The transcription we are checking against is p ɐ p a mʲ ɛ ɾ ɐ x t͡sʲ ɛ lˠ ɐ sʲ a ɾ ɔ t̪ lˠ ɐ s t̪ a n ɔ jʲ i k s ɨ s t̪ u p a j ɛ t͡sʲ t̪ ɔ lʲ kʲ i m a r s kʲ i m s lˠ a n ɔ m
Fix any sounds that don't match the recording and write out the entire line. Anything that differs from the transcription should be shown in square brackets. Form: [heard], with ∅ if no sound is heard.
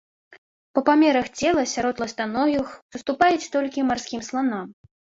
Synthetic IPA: p ɐ p a mʲ ɛ ɾ ɐ x t͡sʲ ɛ lˠ ɐ sʲ a ɾ ɔ t̪ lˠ ɐ s t̪ a n ɔ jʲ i [x] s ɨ s t̪ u p a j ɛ t͡sʲ t̪ ɔ lʲ kʲ i m a r s kʲ i m s lˠ a n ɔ m